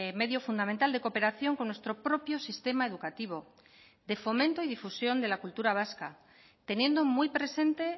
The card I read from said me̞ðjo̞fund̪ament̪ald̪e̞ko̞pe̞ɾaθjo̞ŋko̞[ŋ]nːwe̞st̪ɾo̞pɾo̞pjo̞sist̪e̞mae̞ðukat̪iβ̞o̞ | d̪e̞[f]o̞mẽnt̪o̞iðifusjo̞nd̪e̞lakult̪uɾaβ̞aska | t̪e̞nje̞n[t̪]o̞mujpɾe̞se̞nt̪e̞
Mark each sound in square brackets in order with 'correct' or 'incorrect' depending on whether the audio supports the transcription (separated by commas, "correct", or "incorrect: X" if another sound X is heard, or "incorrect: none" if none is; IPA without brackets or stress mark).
incorrect: none, correct, incorrect: d̪